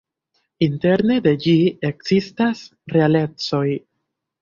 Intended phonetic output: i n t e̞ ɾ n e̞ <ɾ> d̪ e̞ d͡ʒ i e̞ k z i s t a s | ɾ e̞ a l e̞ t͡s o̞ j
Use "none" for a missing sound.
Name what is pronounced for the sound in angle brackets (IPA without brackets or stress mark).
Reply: none